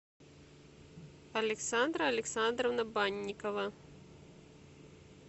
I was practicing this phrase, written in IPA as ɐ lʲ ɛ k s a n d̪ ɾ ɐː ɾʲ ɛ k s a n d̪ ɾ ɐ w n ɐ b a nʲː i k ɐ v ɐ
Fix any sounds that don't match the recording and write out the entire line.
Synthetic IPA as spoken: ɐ lʲ ɛ k s a n d̪ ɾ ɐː lʲ ɛ k s a n d̪ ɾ ɐ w n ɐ b a nʲː i k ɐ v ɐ